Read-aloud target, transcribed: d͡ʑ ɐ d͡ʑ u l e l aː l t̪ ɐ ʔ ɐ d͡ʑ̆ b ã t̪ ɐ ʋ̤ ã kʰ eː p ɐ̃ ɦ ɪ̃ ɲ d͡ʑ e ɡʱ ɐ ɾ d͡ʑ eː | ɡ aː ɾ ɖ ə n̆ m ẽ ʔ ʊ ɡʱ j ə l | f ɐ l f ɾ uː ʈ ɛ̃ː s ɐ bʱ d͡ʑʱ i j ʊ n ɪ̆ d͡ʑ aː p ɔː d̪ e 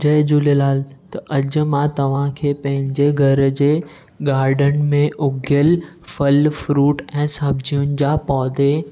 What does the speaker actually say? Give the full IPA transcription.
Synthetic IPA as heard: d͡ʑ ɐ d͡ʑ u l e l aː l t̪ ɐ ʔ ɐ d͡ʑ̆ m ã t̪ ɐ ʋ̤ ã kʰ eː p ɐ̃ ɦ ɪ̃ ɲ d͡ʑ e ɡʱ ɐ ɾ d͡ʑ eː | ɡ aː ɾ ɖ ə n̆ m ẽ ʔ ʊ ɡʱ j ə l | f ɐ l f ɾ uː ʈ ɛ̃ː s ɐ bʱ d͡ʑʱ i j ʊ n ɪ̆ d͡ʑ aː p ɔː d̪ e